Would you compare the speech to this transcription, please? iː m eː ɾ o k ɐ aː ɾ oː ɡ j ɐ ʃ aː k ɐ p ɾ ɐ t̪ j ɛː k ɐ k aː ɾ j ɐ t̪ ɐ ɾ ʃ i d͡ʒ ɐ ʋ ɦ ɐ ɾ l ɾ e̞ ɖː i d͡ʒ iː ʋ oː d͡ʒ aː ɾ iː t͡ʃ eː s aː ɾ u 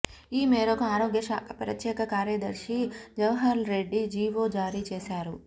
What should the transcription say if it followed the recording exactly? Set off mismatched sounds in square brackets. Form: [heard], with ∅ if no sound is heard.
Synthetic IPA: iː m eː ɾ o k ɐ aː ɾ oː ɡ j ɐ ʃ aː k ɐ p ɾ ɐ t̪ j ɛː k ɐ k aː ɾ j ɐ [d̪] ɐ ɾ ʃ i d͡ʒ ɐ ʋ ɦ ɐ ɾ l ɾ e̞ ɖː i d͡ʒ iː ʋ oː d͡ʒ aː ɾ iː t͡ʃ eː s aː ɾ u